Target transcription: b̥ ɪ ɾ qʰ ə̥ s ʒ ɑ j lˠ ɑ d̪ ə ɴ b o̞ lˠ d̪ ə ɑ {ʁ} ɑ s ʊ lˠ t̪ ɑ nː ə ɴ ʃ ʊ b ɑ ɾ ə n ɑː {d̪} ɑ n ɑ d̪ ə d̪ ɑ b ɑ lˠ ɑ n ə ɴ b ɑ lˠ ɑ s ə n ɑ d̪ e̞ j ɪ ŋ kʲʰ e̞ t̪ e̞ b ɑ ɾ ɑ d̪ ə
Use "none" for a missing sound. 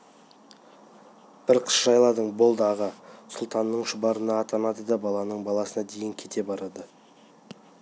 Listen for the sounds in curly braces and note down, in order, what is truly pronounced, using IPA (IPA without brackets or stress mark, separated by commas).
ʁ, t̪